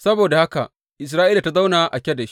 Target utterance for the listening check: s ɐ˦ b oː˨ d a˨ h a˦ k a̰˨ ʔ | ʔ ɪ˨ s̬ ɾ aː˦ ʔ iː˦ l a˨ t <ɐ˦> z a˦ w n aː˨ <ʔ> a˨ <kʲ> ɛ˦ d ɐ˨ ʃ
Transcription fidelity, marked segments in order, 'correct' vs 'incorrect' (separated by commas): incorrect, correct, correct